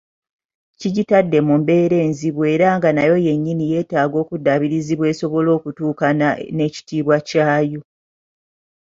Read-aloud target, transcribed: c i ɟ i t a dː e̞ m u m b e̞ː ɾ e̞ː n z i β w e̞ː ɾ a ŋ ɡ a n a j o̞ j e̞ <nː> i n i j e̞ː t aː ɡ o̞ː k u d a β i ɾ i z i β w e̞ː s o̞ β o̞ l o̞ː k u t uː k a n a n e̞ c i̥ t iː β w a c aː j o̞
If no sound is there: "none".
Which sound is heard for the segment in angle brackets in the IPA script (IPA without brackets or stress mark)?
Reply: ɲː